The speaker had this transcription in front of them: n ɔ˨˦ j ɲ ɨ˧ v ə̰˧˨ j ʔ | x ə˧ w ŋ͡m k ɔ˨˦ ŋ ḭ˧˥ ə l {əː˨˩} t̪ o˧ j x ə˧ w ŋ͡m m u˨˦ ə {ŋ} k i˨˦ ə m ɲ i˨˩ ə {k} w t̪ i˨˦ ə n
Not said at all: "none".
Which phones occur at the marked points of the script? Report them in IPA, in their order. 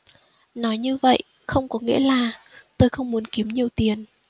aː˨˩, n, none

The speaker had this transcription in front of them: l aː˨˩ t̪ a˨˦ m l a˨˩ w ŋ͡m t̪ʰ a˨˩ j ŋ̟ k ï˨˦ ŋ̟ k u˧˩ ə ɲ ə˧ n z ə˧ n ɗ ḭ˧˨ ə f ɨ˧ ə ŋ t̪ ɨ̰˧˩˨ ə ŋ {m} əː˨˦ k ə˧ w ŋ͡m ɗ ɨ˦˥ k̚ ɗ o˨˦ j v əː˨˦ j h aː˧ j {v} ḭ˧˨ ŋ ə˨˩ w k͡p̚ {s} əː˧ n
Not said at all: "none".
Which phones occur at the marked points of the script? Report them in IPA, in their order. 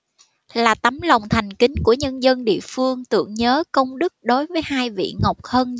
ɲ, v, h

